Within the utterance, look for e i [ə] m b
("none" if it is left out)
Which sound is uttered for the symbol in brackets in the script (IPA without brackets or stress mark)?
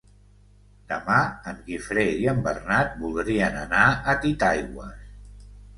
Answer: ə